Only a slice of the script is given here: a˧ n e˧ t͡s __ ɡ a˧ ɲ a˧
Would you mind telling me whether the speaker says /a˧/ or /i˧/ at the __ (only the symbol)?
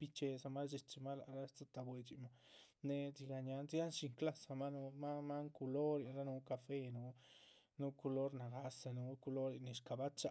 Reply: i˧